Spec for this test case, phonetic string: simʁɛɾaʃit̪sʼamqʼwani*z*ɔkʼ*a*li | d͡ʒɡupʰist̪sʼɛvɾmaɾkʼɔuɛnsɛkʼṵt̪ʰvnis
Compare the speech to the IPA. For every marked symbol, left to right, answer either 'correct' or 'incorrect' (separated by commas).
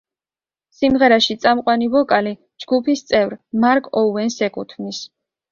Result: incorrect, correct